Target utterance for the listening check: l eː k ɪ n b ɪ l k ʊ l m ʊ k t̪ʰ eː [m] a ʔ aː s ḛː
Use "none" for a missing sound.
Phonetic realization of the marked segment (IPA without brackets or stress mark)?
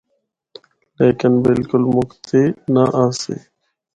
n